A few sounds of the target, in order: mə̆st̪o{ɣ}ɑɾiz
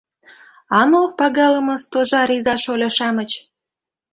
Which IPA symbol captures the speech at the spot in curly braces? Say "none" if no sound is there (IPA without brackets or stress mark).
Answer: ʒ